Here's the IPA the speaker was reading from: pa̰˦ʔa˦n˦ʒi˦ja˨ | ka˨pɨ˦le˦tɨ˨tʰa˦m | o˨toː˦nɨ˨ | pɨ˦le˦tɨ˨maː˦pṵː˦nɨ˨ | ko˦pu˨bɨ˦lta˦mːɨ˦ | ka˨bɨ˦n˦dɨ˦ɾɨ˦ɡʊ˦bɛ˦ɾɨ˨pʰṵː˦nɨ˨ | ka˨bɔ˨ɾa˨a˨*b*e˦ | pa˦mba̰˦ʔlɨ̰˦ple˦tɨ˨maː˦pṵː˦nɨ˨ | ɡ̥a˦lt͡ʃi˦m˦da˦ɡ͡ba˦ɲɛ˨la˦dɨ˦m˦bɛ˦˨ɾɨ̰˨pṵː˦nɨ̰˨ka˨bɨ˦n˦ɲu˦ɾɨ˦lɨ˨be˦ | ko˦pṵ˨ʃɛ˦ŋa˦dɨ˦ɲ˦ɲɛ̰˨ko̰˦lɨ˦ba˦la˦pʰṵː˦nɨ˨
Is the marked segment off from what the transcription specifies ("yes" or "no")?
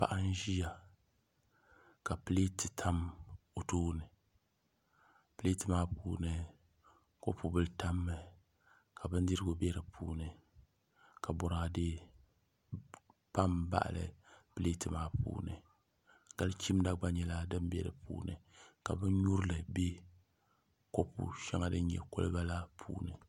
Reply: yes